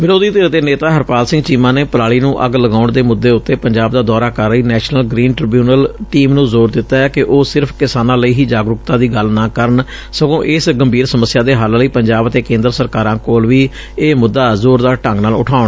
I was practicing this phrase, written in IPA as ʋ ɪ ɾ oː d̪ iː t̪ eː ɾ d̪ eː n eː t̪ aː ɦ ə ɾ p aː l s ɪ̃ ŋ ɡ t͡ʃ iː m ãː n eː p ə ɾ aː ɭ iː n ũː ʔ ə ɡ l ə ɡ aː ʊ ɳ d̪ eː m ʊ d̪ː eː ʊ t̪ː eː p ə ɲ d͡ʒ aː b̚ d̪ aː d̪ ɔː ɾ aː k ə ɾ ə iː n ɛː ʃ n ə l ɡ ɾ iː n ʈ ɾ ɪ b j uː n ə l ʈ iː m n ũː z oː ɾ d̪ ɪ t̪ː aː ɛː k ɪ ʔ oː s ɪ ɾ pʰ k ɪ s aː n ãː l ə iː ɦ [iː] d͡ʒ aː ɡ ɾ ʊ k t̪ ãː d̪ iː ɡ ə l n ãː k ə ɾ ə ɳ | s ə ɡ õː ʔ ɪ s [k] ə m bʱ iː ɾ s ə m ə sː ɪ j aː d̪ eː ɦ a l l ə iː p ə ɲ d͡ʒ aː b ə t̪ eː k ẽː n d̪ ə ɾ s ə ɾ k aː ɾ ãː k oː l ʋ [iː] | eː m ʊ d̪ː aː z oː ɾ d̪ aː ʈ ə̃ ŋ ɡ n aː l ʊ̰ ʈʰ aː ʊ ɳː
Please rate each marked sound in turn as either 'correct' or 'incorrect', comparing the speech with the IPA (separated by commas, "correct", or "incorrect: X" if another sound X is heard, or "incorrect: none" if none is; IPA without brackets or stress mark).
correct, incorrect: ɡ, correct